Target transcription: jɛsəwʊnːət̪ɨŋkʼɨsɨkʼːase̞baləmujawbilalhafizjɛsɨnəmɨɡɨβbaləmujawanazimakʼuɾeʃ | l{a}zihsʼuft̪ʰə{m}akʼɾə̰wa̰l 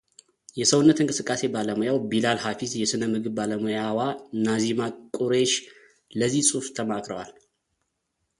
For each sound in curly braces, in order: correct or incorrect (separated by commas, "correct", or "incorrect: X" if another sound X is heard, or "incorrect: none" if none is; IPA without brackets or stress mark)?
incorrect: ə, correct